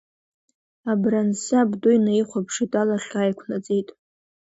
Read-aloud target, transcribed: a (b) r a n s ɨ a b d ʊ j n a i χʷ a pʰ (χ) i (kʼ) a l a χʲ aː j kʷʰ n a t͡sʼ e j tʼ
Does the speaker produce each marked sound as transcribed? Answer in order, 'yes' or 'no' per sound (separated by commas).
yes, no, no